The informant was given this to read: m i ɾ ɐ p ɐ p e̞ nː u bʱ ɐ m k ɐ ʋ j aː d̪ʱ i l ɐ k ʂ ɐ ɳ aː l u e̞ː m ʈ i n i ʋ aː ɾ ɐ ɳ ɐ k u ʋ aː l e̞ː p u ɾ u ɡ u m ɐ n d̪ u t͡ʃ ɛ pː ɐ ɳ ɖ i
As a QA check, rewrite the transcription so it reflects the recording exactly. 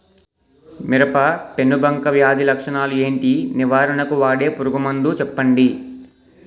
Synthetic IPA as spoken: m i ɾ ɐ p ɐ p e̞ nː u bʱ ɐ ŋ k ɐ ʋ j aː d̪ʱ i l ɐ k ʂ ɐ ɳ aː l u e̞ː ɳ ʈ i n i ʋ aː ɾ ɐ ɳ ɐ k u ʋ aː ɽ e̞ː p u ɾ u ɡ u m ɐ n d̪ u t͡ʃ ɛ pː ɐ ɳ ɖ i